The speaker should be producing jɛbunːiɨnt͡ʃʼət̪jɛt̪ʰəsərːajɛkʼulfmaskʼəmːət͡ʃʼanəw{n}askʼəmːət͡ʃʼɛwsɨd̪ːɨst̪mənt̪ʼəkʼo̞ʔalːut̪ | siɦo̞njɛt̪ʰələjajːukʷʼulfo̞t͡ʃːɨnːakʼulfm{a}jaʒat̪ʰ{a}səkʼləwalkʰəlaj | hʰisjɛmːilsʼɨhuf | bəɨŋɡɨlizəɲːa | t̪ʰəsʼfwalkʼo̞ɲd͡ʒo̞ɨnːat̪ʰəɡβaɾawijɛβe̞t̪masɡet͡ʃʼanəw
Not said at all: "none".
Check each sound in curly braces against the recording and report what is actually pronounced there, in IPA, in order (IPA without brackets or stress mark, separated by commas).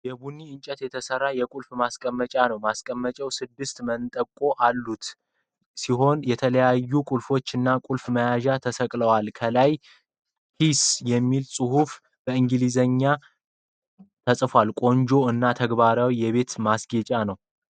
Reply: m, ə, ə